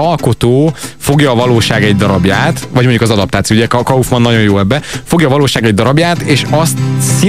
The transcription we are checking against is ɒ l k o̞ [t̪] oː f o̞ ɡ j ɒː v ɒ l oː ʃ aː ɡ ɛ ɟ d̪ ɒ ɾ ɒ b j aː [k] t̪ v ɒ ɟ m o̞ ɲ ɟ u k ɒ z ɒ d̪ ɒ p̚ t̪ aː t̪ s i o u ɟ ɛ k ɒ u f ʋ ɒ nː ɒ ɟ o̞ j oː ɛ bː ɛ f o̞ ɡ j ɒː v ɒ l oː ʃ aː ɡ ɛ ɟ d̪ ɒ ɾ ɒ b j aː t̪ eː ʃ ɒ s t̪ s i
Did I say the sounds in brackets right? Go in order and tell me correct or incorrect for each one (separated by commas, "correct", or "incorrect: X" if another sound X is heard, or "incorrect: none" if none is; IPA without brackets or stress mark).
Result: correct, incorrect: none